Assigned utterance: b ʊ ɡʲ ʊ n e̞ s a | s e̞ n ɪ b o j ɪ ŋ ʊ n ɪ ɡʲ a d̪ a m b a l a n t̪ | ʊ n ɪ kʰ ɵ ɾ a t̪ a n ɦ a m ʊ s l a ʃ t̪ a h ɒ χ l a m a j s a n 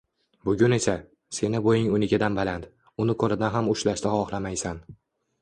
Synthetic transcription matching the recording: b ʊ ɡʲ ʊ n e̞ s a | s e̞ n ɪ b o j ɪ ŋ ʊ n ɪ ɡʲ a d̪ a n b a l a n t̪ | ʊ n ɪ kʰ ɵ ɾ a d̪ a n ɦ a m ʊ ʃ l a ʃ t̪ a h ɒ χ l a m a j s a n